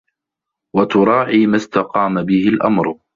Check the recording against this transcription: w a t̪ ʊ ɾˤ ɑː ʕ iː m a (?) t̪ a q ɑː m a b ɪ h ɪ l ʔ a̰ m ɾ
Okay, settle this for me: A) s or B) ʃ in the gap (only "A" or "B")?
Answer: A